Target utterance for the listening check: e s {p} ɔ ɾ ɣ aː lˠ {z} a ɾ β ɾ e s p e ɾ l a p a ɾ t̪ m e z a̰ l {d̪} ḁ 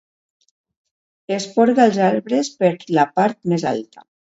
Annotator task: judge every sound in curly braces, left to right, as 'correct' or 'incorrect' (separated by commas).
correct, correct, incorrect